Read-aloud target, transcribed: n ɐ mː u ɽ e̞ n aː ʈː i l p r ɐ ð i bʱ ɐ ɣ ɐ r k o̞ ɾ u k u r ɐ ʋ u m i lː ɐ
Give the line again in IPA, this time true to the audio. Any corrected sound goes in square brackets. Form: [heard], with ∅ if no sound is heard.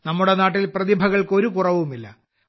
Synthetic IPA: n ɐ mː u ɽ e̞ n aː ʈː i l p r ɐ ð i bʱ ɐ ɣ ɐ [ɭ] k o̞ ɾ u k u r ɐ ʋ u m i lː ɐ